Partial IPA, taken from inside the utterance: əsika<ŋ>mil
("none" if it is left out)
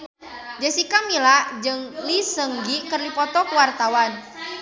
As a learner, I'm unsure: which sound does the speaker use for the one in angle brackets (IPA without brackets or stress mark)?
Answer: none